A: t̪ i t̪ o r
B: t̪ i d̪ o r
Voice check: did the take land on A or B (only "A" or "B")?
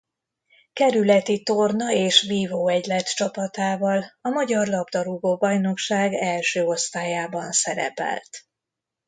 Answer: A